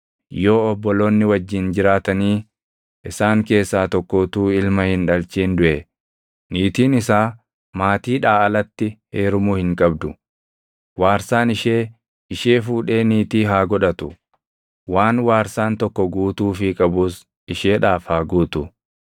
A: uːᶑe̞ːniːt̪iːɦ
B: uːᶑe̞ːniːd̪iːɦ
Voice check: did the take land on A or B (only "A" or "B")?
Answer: A